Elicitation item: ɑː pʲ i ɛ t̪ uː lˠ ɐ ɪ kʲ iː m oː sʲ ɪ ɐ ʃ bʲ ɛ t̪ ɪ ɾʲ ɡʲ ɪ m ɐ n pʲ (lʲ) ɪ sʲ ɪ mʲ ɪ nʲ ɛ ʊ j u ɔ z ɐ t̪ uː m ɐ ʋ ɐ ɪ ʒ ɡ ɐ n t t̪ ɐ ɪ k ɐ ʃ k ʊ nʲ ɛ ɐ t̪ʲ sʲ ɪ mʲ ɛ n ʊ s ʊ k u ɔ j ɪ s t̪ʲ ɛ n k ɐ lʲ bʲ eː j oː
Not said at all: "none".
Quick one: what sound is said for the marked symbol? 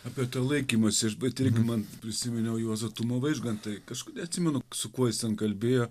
ɾʲ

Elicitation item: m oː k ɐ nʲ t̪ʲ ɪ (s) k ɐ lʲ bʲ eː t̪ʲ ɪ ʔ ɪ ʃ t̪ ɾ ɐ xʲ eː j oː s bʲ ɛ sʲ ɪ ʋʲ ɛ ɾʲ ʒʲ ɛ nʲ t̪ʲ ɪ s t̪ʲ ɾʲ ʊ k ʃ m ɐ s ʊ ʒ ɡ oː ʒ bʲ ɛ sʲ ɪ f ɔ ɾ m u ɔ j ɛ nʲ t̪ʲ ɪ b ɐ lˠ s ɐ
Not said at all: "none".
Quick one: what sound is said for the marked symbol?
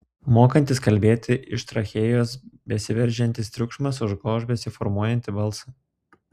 s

